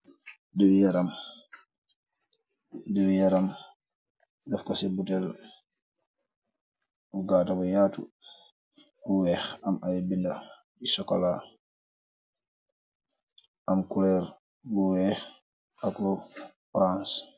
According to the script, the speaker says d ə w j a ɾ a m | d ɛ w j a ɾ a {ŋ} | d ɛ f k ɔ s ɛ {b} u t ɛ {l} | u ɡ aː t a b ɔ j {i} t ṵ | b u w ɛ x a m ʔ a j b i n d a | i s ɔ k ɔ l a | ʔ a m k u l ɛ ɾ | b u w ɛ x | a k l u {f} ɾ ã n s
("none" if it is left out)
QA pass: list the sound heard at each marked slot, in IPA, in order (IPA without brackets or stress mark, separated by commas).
m, b, l, a, f